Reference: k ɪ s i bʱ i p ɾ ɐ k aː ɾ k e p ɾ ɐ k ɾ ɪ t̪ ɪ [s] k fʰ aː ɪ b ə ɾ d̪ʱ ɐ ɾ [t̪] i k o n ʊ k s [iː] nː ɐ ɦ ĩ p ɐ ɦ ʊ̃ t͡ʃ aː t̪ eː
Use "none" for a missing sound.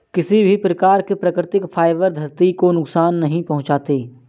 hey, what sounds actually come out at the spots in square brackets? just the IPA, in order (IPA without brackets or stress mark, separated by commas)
none, t̪, aː